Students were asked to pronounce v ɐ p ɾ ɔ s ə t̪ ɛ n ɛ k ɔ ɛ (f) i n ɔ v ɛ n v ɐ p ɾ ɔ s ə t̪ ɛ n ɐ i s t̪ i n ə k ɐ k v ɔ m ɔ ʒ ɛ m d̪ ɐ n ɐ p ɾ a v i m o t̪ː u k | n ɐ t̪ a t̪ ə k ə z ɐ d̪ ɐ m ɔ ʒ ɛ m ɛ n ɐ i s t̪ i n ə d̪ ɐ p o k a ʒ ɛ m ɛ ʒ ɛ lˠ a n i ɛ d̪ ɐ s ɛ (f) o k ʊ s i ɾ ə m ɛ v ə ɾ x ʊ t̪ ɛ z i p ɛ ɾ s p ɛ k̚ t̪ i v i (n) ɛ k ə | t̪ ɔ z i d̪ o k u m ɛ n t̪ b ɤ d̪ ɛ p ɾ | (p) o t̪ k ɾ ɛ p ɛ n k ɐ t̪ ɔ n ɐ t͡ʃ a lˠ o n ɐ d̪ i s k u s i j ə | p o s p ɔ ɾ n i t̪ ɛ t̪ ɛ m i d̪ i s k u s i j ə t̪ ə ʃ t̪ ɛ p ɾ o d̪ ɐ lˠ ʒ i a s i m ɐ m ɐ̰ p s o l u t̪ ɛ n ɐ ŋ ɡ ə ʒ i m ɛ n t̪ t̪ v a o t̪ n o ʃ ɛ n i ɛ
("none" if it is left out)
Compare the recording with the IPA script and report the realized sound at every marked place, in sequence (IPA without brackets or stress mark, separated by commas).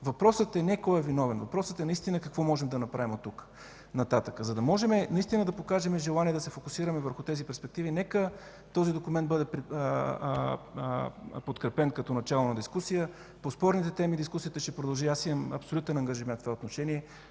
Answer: v, f, n, p